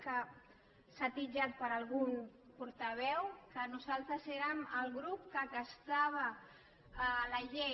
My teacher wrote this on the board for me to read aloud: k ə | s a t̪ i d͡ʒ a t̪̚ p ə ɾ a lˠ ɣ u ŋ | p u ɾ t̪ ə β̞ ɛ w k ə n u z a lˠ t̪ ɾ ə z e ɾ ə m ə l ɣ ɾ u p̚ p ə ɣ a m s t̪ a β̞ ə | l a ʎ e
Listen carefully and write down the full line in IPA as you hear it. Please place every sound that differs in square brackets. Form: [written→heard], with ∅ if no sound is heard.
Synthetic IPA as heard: k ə | s a t̪ i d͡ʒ a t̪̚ p ə ɾ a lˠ ɣ u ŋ | p u ɾ t̪ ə β̞ ɛ w k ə n u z a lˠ t̪ ɾ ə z e ɾ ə m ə l ɣ ɾ u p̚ [p→k] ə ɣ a [m→∅] s t̪ a β̞ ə | l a ʎ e